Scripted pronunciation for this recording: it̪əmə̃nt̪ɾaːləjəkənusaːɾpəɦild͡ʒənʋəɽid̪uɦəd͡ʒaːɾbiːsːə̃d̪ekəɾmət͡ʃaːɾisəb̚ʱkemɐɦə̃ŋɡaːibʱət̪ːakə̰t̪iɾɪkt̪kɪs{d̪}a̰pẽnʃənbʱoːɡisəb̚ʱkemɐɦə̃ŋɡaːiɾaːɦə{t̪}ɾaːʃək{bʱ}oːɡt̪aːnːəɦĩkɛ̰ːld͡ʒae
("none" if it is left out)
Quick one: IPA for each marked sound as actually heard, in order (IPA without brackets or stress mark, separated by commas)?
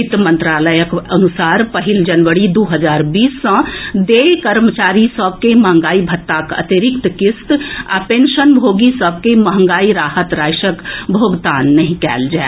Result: t̪, t̪, bʱ